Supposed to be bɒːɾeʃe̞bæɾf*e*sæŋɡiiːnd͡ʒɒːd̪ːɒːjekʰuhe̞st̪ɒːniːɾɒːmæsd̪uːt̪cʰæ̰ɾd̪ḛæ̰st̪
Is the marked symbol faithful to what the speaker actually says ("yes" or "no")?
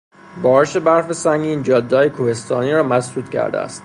yes